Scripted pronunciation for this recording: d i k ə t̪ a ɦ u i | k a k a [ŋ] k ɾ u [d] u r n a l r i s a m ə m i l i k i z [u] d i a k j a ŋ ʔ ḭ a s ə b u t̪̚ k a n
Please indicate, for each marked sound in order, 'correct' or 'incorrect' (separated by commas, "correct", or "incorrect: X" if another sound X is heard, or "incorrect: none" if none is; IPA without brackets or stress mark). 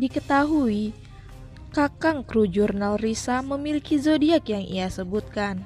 correct, incorrect: d͡ʒ, incorrect: o